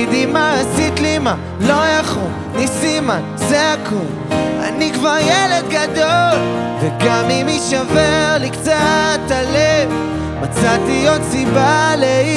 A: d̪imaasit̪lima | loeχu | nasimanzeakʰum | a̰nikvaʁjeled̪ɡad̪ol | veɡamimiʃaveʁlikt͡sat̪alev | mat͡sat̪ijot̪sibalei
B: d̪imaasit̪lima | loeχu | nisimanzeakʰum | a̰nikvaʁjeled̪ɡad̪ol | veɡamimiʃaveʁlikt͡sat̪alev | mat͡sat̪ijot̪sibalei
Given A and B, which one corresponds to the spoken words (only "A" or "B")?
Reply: B